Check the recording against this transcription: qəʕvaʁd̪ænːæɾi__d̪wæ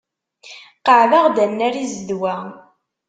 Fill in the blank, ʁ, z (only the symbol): z